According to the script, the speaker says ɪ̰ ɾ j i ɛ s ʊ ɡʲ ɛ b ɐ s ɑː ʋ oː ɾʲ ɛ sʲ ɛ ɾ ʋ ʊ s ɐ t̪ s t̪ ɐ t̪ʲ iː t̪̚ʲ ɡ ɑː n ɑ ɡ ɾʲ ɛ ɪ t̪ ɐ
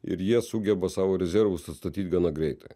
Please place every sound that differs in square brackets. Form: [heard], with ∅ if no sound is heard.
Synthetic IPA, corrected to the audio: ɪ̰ ɾ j i ɛ s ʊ ɡʲ ɛ b ɐ s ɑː ʋ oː ɾʲ ɛ [zʲ] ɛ ɾ ʋ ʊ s ɐ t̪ s t̪ ɐ t̪ʲ iː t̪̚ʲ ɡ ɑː n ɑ ɡ ɾʲ ɛ ɪ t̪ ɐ